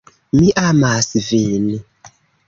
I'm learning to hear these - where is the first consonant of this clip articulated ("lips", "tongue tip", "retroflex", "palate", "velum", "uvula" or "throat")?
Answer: lips